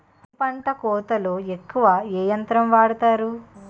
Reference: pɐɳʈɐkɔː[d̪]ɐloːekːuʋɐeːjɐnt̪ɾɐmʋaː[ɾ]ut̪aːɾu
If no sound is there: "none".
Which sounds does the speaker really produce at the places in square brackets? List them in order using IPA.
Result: t̪, ɽ

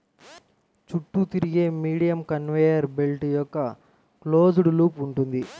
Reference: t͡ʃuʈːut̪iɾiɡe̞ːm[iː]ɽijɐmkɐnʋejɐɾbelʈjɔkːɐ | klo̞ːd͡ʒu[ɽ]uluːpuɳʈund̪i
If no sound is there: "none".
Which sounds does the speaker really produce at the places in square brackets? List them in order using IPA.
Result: iː, ɽ

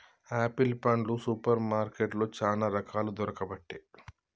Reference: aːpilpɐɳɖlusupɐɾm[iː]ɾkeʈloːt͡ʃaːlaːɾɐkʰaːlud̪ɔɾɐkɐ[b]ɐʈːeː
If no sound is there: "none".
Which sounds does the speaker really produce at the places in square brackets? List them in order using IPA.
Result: aː, b

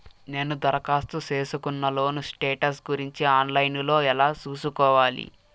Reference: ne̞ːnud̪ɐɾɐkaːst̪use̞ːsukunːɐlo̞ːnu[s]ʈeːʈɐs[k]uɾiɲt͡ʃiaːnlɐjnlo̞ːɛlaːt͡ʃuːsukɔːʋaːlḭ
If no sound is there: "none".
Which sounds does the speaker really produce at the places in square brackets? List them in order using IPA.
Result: s, ɡ

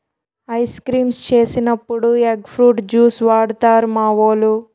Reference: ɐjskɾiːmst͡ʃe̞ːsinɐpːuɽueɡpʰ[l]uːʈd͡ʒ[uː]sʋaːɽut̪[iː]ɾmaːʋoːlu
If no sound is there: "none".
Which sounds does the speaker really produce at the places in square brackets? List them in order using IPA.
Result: ɾ, uː, aː

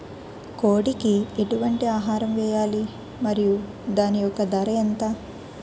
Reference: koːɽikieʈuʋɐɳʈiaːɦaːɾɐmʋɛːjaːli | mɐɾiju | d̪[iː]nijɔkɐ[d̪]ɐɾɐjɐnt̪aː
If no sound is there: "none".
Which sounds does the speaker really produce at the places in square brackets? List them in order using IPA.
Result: aː, d̪

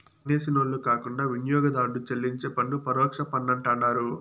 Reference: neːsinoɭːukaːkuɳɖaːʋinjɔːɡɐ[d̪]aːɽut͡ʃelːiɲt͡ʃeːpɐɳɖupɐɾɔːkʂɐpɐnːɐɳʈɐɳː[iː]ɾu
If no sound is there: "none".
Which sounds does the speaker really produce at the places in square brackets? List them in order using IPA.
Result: d̪, aː

